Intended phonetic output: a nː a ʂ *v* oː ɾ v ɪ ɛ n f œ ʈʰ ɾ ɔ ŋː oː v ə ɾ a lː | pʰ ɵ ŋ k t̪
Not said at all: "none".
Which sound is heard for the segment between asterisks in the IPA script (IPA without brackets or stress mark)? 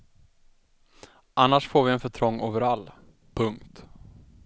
f